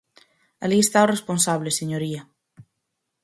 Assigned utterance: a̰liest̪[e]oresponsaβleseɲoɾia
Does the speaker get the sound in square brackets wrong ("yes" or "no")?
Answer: yes